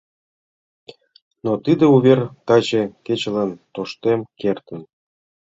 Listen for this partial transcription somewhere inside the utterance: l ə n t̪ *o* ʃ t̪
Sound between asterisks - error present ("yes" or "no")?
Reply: no